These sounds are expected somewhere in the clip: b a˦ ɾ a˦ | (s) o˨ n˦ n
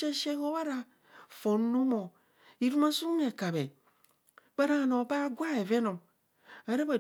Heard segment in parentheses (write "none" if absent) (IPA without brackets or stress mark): f